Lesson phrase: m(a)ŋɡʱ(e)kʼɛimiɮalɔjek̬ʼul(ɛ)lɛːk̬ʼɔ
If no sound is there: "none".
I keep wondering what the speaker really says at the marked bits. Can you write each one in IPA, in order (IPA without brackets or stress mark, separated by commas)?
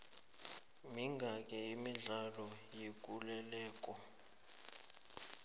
i, a, ɛ